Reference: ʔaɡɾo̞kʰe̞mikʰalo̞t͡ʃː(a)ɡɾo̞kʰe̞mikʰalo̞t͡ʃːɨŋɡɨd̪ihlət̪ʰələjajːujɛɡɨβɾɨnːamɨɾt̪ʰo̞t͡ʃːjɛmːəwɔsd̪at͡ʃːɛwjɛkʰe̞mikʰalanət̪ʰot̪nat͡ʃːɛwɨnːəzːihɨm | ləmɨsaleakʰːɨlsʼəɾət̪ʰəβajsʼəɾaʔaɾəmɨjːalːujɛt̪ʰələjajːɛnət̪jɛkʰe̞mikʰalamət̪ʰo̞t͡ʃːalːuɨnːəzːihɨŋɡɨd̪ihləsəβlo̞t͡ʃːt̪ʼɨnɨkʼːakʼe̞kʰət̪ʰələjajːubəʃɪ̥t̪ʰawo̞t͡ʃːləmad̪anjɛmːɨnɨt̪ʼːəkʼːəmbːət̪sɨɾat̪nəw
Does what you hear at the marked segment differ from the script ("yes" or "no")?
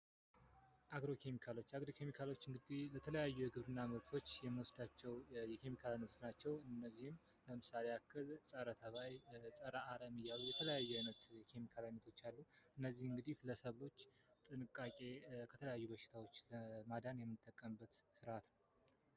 no